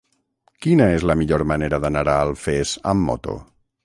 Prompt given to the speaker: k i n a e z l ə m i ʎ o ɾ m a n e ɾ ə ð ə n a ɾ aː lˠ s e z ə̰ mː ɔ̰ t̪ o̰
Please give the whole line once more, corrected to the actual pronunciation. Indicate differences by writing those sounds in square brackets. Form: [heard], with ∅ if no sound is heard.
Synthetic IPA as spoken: k i n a e z l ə m i ʎ o ɾ m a n e ɾ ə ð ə n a ɾ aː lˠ [f] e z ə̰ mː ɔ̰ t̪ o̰